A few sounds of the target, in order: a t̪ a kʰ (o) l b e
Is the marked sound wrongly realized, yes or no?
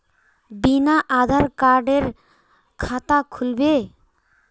yes